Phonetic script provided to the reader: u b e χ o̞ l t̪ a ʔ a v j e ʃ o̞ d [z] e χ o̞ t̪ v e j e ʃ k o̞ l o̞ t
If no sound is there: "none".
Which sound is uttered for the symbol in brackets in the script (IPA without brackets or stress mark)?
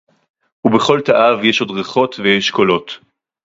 ʁ